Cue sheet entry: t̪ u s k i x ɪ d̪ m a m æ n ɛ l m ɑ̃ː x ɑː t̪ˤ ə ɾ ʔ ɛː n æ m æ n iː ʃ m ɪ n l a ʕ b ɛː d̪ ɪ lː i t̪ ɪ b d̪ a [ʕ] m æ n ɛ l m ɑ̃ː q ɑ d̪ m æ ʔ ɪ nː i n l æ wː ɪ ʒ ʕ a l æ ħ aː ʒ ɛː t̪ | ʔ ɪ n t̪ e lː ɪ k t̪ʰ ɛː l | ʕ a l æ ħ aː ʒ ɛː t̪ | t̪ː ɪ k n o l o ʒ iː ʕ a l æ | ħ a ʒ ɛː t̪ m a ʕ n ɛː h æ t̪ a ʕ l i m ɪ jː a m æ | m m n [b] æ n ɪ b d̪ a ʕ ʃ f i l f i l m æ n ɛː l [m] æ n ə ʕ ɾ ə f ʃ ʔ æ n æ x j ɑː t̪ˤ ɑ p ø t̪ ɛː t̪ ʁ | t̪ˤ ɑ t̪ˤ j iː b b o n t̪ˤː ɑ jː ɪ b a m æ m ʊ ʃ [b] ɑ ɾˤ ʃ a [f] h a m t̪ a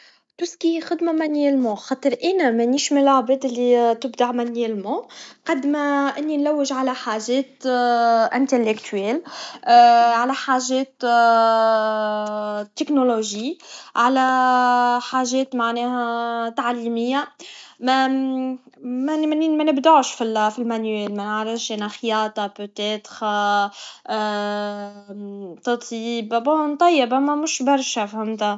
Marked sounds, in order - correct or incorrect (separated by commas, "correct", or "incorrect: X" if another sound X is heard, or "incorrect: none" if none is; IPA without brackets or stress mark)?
correct, incorrect: m, correct, correct, correct